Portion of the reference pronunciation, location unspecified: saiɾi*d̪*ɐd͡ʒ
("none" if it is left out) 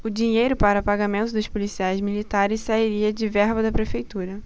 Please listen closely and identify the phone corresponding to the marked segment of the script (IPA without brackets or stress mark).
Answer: none